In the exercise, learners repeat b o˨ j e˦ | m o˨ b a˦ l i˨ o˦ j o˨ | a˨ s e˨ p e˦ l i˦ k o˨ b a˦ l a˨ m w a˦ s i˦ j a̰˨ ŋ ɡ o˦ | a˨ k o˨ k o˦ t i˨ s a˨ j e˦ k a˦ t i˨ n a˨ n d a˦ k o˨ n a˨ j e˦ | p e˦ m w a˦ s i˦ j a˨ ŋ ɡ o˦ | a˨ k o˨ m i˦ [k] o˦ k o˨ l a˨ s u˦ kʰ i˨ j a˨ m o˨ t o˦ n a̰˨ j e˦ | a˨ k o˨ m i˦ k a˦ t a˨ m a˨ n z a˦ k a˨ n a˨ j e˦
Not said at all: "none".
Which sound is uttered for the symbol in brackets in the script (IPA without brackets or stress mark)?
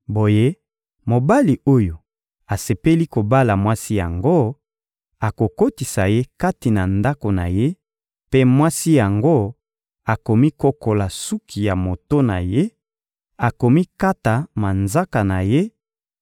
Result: k